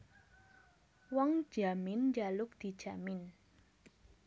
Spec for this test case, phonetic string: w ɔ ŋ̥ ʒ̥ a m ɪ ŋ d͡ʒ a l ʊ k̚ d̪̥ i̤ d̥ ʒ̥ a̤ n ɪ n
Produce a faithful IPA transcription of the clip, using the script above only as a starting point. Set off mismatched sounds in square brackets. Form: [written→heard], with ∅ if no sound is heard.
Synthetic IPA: w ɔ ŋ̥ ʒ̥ a m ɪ [ŋ→n] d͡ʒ a l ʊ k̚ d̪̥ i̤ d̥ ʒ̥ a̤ [n→m] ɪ n